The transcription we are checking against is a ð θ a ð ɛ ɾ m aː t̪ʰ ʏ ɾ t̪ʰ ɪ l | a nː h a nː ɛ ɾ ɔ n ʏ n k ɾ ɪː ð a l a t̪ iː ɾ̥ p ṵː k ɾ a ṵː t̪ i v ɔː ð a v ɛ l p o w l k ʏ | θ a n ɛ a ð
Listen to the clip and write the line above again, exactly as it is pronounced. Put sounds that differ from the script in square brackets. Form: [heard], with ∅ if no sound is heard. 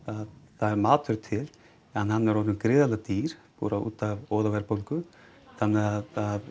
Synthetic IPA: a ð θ a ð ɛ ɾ m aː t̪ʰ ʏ ɾ t̪ʰ ɪ l | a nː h a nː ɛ ɾ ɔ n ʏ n k ɾ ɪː ð a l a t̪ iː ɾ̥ p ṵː [∅] ɾ a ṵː t̪ [a] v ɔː ð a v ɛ [ɾ] p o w l k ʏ | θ a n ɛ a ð

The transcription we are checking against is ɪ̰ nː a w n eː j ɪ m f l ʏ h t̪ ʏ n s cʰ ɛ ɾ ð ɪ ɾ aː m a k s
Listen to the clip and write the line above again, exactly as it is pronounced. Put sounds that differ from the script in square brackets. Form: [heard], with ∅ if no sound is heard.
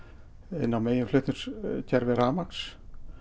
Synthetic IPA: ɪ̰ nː a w [m] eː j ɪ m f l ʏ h t̪ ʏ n s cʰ ɛ ɾ [v] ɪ ɾ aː m a k s

